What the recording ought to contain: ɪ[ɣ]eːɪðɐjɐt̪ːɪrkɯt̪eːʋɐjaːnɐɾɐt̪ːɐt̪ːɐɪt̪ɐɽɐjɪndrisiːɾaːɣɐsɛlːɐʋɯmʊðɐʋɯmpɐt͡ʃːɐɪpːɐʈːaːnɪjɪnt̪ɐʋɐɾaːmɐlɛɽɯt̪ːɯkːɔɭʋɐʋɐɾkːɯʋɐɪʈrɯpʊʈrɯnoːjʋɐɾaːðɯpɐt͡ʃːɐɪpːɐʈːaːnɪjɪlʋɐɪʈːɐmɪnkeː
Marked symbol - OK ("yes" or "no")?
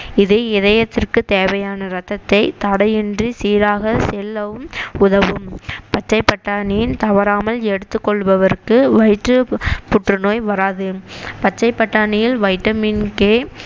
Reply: no